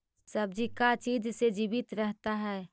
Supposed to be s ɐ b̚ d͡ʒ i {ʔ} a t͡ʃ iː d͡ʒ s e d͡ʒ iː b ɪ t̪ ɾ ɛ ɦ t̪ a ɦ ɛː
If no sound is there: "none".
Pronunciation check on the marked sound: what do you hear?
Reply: k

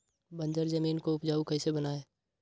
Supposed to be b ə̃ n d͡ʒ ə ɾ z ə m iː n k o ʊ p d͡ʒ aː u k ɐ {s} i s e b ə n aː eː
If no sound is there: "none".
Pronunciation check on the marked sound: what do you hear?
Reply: none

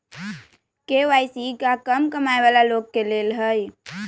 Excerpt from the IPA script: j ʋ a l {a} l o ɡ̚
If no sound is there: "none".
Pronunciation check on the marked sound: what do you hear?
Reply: a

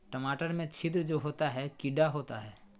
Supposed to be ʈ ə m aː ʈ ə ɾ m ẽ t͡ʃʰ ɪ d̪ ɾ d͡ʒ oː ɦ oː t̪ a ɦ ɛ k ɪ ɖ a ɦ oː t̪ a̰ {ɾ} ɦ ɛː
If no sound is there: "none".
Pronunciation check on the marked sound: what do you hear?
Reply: none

